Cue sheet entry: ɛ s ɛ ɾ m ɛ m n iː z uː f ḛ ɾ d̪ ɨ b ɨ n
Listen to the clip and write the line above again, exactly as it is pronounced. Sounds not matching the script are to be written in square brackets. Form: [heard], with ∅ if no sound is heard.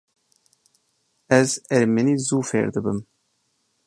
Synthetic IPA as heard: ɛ [z] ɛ ɾ m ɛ [∅] n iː z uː f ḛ ɾ d̪ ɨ b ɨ [m]